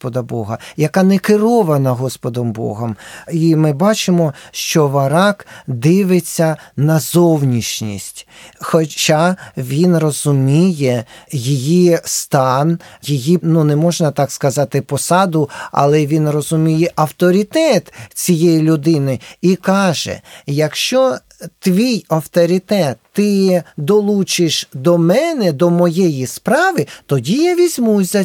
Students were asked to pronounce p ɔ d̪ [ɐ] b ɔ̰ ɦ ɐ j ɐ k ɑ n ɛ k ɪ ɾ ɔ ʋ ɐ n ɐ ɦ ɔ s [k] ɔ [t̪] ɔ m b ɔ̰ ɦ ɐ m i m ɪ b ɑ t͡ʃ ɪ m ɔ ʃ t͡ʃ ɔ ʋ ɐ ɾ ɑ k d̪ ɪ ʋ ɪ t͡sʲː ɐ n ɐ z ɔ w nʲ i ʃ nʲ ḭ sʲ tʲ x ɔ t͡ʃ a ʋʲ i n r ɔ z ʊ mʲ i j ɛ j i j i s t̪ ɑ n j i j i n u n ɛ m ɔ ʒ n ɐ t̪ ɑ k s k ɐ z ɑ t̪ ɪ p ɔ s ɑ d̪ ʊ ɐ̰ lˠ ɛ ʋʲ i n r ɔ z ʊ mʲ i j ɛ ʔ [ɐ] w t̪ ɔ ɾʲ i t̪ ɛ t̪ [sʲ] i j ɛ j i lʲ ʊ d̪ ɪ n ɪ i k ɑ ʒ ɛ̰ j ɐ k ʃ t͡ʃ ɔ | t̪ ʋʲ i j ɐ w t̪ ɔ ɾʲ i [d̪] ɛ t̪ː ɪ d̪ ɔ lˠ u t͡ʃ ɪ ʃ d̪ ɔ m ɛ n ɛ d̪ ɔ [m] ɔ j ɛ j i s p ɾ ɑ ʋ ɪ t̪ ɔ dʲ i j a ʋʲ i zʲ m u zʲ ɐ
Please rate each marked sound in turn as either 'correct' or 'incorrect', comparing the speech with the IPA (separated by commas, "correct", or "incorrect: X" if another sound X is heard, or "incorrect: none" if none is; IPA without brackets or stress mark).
correct, incorrect: p, incorrect: d̪, correct, incorrect: t͡sʲ, incorrect: t̪, correct